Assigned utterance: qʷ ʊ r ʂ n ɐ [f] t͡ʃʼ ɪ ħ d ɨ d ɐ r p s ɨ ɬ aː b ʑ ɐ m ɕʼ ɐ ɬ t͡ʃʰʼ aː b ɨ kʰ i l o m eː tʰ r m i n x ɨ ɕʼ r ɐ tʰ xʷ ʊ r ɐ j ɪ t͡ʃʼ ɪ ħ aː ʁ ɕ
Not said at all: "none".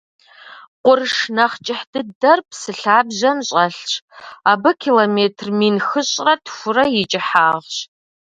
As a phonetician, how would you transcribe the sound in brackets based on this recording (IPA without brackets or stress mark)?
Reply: χ